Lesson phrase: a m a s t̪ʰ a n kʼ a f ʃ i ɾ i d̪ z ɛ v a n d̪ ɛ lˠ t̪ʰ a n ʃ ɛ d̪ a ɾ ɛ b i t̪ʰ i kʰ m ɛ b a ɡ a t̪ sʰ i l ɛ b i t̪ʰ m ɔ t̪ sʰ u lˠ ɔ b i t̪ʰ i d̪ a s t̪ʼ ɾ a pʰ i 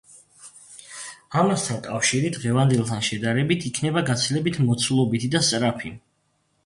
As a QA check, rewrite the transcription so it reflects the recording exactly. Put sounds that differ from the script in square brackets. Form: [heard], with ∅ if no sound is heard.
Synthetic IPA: a m a s t̪ʰ a n kʼ a f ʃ i ɾ i d̪ [ʁ] ɛ v a n d̪ ɛ lˠ t̪ʰ a n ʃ ɛ d̪ a ɾ ɛ b i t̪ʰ i kʰ [n] ɛ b a ɡ a t̪ sʰ i l ɛ b i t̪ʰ m ɔ t̪ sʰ u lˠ ɔ b i t̪ʰ i d̪ a s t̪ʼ ɾ a pʰ i